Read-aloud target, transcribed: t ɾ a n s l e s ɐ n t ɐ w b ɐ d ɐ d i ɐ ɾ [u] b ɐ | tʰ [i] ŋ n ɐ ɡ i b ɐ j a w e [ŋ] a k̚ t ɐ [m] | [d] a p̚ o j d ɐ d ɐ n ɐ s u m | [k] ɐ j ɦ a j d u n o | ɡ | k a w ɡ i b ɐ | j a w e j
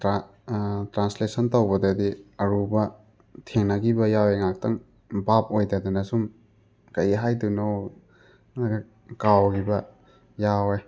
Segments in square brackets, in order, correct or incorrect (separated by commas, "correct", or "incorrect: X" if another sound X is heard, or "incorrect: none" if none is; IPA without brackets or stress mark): correct, incorrect: e, correct, incorrect: ŋ, incorrect: b, correct